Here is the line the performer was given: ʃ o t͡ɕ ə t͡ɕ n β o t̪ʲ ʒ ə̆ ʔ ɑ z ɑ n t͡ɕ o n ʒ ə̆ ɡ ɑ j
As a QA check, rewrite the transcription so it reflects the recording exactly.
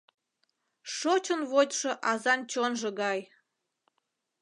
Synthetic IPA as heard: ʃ o t͡ɕ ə n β o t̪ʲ ʃ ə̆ ʔ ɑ z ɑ n t͡ɕ o n ʒ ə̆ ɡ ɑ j